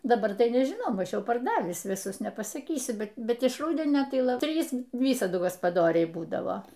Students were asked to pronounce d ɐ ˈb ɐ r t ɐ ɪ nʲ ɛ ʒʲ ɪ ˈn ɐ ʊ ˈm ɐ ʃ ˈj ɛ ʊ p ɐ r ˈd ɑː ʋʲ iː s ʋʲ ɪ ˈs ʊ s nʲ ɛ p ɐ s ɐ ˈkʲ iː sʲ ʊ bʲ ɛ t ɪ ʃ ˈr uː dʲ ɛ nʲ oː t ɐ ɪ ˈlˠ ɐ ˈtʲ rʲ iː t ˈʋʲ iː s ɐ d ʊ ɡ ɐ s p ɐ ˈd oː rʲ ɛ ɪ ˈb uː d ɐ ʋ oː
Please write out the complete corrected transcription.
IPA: d ɐ ˈb ɐ r t ɐ ɪ nʲ ɛ ʒʲ ɪ ˈn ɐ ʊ ˈm ɐ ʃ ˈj ɛ ʊ p ɐ r ˈd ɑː ʋʲ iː s ʋʲ ɪ ˈs ʊ s nʲ ɛ p ɐ s ɐ ˈkʲ iː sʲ ʊ bʲ ɛ t ɪ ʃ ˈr uː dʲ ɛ nʲ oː t ɐ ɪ ˈlˠ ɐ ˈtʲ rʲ iː s ˈʋʲ iː s ɐ d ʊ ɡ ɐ s p ɐ ˈd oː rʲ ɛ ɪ ˈb uː d ɐ ʋ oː

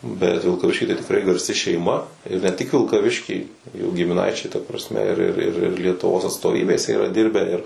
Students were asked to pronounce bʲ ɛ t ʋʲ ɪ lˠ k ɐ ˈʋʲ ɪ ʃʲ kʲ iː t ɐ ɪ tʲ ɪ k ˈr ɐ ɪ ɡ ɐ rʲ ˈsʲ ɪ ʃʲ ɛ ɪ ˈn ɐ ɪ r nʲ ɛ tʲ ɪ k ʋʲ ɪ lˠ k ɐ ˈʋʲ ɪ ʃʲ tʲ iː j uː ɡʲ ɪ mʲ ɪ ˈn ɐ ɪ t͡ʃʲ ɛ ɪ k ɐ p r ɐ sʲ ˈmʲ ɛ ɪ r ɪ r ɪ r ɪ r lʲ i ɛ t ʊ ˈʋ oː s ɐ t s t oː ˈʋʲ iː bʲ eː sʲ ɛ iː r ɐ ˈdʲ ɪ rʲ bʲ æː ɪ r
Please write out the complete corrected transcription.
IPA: bʲ ɛ t ʋʲ ɪ lˠ k ɐ ˈʋʲ ɪ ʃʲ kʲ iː t ɐ ɪ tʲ ɪ k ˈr ɐ ɪ ɡ ɐ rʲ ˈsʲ ɪ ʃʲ ɛ ɪ ˈm ɐ ɪ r nʲ ɛ tʲ ɪ k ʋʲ ɪ lˠ k ɐ ˈʋʲ ɪ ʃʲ kʲ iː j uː ɡʲ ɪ mʲ ɪ ˈn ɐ ɪ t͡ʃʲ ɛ ɪ t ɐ p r ɐ sʲ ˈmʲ ɛ ɪ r ɪ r ɪ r ɪ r lʲ i ɛ t ʊ ˈʋ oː s ɐ t s t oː ˈʋʲ iː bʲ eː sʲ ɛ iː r ɐ ˈdʲ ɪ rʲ bʲ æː ɪ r

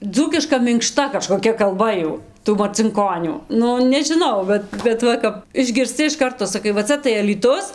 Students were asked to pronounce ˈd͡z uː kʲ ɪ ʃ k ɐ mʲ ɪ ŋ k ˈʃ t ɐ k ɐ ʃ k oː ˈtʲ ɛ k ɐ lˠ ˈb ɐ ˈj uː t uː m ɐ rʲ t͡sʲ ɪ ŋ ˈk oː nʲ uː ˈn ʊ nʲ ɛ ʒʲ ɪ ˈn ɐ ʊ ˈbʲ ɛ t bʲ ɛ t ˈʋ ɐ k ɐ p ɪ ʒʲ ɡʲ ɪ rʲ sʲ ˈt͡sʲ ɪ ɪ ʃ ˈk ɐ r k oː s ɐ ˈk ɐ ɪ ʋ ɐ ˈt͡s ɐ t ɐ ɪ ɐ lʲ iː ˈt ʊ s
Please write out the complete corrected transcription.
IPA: ˈd͡z uː kʲ ɪ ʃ k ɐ mʲ ɪ ŋ k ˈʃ t ɐ k ɐ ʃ k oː ˈkʲ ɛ k ɐ lˠ ˈb ɐ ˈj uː t uː m ɐ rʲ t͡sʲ ɪ ŋ ˈk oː nʲ uː ˈn ʊ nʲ ɛ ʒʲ ɪ ˈn ɐ ʊ ˈbʲ ɛ t bʲ ɛ t ˈʋ ɐ k ɐ p ɪ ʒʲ ɡʲ ɪ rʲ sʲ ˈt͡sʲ ɪ ɪ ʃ ˈk ɐ r t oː s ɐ ˈk ɐ ɪ ʋ ɐ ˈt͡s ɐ t ɐ ɪ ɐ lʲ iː ˈt ʊ s

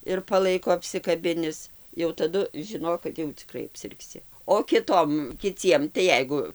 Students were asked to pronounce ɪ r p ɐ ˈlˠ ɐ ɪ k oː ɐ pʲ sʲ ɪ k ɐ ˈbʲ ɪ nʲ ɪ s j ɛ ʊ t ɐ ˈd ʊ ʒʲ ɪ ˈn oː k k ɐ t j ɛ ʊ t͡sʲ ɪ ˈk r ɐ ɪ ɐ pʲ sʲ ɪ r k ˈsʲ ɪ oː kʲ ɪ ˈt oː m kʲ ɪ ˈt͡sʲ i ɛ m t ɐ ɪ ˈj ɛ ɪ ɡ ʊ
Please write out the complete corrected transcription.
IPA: ɪ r p ɐ ˈlˠ ɐ ɪ k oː ɐ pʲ sʲ ɪ k ɐ ˈbʲ ɪ nʲ ɪ s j ɛ ʊ t ɐ ˈd ʊ ʒʲ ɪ ˈn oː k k ɐ t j ɛ ʊ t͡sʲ ɪ ˈk r ɐ ɪ ɐ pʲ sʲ ɪ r k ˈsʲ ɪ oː kʲ ɪ ˈt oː m kʲ ɪ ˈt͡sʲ i ɛ m t ɐ ɪ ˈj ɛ ɪ ɡ ʊ

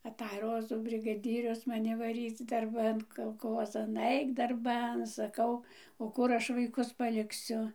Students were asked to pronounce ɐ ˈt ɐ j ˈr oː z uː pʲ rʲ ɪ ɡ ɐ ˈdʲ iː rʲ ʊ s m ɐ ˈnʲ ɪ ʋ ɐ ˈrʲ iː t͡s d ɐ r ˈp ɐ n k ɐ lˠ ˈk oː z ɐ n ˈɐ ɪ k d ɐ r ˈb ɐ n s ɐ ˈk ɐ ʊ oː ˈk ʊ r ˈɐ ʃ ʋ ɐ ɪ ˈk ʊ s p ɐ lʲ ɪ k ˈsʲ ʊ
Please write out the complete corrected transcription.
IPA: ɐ ˈt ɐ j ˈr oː z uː bʲ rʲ ɪ ɡ ɐ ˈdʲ iː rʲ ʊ s m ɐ ˈnʲ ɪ ʋ ɐ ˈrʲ iː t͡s d ɐ r ˈb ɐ n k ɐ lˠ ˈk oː z ɐ n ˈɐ ɪ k d ɐ r ˈb ɐ n s ɐ ˈk ɐ ʊ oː ˈk ʊ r ˈɐ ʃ ʋ ɐ ɪ ˈk ʊ s p ɐ lʲ ɪ k ˈsʲ ʊ

